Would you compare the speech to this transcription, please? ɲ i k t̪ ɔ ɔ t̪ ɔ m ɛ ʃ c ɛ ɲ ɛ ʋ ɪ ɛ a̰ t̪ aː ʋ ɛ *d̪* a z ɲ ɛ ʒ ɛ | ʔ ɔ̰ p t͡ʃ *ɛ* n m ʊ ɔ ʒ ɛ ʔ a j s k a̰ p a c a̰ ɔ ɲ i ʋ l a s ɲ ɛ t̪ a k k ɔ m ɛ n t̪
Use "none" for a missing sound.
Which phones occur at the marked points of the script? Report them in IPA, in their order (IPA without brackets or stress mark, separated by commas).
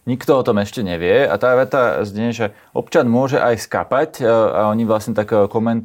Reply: t̪, a